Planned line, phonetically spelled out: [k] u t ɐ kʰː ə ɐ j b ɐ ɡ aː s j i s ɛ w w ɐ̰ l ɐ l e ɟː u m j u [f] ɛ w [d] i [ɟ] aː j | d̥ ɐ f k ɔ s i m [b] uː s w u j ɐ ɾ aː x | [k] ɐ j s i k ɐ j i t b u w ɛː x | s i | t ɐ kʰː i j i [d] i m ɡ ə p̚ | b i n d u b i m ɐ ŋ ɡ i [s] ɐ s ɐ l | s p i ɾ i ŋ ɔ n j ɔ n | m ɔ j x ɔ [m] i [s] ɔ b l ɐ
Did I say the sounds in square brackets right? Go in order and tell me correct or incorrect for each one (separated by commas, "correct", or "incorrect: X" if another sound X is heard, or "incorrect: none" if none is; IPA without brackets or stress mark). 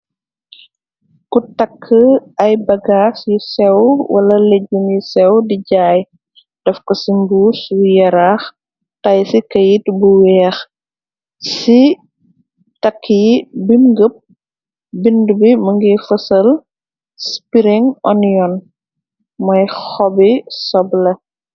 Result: correct, incorrect: s, correct, correct, correct, incorrect: t, incorrect: b, incorrect: f, incorrect: b, correct